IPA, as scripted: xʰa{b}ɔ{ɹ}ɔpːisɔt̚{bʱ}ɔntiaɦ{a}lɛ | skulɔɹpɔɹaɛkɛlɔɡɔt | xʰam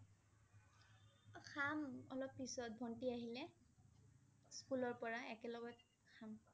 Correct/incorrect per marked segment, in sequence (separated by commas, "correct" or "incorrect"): incorrect, incorrect, correct, incorrect